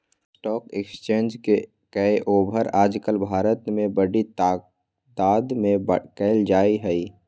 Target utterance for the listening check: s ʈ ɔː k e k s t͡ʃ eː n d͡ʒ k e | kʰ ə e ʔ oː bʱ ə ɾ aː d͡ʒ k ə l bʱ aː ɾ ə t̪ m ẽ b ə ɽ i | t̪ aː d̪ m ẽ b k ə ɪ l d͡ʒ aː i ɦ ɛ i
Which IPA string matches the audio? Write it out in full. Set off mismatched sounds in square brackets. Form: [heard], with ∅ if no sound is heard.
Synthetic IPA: s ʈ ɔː k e k s t͡ʃ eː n d͡ʒ k e | [k] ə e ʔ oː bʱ ə ɾ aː d͡ʒ k ə l bʱ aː ɾ ə t̪ m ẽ b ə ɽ i | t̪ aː d̪ m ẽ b k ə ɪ l d͡ʒ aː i ɦ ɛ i